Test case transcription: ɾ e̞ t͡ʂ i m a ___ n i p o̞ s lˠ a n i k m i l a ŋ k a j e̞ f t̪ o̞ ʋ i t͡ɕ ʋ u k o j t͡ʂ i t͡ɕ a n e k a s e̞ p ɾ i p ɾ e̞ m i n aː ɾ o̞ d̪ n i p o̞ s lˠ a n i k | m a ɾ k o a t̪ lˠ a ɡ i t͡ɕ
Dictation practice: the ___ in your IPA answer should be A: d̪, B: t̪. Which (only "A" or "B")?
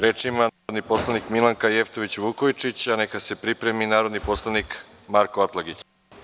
A